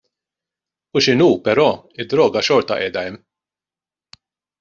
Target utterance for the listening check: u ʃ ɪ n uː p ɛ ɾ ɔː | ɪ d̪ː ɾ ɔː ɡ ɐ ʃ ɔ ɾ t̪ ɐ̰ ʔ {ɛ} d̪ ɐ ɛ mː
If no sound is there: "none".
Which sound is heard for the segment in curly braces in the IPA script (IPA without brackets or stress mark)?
ɛː